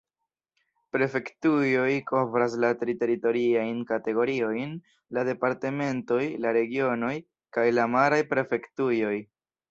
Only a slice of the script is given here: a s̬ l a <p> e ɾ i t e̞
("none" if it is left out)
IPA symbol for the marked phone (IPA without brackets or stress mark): t